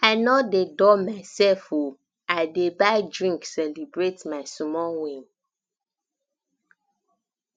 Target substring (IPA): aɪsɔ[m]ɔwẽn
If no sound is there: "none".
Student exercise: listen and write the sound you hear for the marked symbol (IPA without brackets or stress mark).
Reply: m